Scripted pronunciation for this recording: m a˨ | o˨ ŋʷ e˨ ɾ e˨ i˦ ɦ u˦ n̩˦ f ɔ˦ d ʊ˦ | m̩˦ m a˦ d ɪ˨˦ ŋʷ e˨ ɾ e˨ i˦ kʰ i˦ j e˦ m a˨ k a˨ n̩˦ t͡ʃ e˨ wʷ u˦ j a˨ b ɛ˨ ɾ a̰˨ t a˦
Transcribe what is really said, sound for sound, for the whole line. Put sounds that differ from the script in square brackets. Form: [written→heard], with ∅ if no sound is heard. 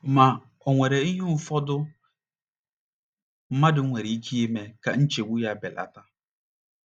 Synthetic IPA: m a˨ | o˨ ŋʷ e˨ ɾ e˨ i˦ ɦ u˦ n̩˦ f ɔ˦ d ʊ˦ | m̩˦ m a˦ d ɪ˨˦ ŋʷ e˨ ɾ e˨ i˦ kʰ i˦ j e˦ m [a˨→e˨] k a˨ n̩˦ t͡ʃ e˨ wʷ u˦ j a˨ b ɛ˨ [ɾ→l] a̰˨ t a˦